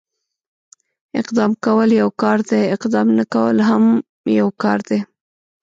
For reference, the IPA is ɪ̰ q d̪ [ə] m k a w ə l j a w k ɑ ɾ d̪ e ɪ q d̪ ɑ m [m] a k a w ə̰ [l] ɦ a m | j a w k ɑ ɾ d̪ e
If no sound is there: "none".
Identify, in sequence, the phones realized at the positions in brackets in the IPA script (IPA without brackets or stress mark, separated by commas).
ɑ, n, l